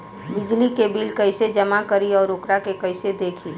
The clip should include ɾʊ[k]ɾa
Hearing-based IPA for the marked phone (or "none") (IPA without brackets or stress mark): k